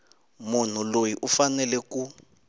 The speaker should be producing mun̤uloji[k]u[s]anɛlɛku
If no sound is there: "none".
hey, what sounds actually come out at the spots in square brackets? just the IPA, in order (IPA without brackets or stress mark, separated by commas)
ʔ, f